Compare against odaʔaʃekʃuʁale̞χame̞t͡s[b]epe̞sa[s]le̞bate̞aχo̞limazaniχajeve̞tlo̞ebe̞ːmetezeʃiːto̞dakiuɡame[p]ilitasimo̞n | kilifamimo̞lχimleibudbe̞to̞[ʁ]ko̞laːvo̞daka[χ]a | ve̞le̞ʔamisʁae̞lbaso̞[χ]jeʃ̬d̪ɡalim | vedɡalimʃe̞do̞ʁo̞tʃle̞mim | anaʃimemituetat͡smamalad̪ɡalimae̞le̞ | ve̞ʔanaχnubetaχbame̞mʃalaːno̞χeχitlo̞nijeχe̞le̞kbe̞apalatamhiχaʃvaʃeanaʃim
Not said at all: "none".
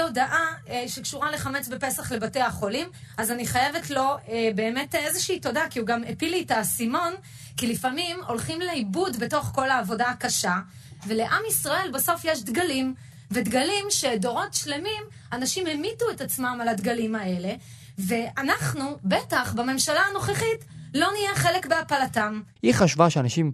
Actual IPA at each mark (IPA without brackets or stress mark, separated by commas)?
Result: b, χ, p, χ, ʃ, f